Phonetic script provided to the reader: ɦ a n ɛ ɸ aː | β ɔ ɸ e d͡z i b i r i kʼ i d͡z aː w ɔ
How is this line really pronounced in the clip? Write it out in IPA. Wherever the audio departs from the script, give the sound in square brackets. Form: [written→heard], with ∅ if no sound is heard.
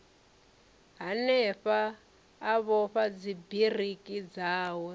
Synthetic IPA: ɦ a n ɛ ɸ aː | β ɔ ɸ [e→a] d͡z i b i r i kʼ i d͡z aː w ɔ